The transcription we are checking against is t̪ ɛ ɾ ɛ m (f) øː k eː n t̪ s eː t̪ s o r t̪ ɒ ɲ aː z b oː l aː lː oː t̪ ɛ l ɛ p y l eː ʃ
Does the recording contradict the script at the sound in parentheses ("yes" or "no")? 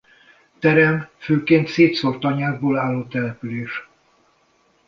no